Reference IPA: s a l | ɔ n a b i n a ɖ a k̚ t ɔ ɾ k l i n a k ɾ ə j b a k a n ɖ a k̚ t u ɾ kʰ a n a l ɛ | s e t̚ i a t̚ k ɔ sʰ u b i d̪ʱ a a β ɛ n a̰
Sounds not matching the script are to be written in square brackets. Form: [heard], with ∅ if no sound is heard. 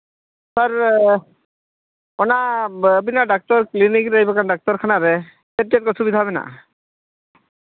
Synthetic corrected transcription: s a [ɾ] | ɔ n a b i n a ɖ a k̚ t ɔ ɾ k l i n [i] k ɾ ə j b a k a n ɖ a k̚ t [ɔ] ɾ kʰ a n a [ɾ] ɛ | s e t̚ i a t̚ k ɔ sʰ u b i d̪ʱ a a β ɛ n a̰